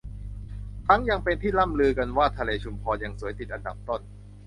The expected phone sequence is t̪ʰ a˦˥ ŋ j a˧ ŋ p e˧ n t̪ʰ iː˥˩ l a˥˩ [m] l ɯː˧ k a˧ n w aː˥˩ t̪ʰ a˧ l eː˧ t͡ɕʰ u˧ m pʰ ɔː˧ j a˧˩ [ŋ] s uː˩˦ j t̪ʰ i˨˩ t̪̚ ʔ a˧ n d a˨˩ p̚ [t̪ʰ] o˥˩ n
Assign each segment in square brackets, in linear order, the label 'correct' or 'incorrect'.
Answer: correct, correct, incorrect: t̪

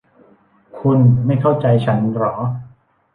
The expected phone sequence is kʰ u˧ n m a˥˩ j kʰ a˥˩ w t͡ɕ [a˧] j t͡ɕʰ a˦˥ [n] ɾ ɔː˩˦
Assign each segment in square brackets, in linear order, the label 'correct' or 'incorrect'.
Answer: correct, correct

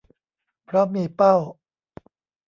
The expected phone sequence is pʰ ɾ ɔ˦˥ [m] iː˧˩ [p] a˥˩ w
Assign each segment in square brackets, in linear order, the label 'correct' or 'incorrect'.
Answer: correct, correct

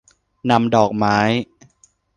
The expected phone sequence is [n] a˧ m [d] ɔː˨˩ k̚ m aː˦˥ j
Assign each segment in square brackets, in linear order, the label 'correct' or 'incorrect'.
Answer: correct, correct

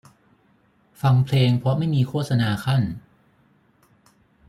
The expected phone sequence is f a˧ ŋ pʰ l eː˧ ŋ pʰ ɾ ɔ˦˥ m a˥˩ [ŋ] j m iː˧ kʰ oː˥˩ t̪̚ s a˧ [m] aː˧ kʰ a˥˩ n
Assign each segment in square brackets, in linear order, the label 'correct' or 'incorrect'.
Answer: incorrect: none, incorrect: n

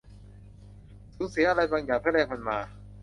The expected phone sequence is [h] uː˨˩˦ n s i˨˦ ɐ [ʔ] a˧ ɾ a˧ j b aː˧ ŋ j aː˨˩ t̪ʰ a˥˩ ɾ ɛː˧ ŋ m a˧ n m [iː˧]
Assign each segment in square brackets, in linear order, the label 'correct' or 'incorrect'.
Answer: incorrect: s, correct, incorrect: aː˧

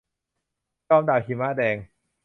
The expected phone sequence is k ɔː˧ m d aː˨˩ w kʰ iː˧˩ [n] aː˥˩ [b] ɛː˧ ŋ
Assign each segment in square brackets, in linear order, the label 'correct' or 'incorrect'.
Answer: incorrect: m, incorrect: d

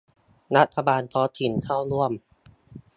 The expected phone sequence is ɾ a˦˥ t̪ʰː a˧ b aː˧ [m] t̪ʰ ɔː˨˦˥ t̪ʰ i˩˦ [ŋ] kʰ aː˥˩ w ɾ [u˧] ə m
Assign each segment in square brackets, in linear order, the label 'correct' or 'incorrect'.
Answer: incorrect: n, incorrect: n, incorrect: u˥˩

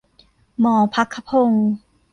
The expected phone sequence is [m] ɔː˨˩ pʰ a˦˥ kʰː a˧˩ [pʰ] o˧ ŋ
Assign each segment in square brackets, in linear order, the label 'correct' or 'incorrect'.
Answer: correct, correct

